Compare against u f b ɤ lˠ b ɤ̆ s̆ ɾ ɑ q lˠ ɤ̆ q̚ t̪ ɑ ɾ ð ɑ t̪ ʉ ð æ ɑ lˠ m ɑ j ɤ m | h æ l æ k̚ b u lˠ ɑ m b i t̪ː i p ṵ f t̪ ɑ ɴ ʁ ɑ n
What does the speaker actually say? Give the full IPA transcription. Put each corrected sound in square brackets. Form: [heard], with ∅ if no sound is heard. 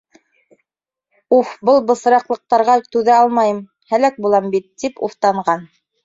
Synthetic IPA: u f b ɤ lˠ b ɤ̆ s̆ ɾ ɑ q lˠ ɤ̆ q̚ t̪ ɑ ɾ [ʁ] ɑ t̪ ʉ ð æ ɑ lˠ m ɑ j ɤ m | h æ l æ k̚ b u lˠ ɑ m b i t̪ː i p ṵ f t̪ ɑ ɴ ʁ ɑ n